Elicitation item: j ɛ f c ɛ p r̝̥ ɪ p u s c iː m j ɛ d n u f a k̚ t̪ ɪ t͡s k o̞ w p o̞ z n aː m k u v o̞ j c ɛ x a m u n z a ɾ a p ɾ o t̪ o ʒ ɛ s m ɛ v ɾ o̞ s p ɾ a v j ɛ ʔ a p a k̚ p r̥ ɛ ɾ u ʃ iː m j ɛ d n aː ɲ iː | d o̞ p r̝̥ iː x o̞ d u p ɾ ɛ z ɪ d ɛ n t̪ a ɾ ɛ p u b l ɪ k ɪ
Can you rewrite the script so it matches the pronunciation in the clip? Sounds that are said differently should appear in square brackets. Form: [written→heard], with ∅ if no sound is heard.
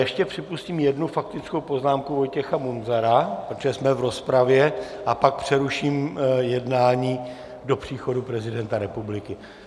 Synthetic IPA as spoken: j ɛ [f→ʃ] c ɛ p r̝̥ ɪ p u s c iː m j ɛ d n u f a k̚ t̪ ɪ t͡s k o̞ w p o̞ z n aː m k u v o̞ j c ɛ x a m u n z a ɾ a p ɾ o t̪ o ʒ ɛ s m ɛ v ɾ o̞ s p ɾ a v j ɛ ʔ a p a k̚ p r̥ ɛ ɾ u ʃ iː m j ɛ d n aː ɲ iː | d o̞ p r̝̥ iː x o̞ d u p ɾ ɛ z ɪ d ɛ n t̪ a ɾ ɛ p u b l ɪ k ɪ